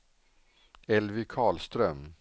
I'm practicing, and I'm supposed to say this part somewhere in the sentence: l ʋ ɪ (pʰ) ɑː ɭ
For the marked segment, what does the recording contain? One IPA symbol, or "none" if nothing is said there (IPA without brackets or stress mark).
kʰ